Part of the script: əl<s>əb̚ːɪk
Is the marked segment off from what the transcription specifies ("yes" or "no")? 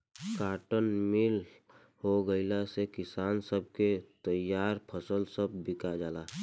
no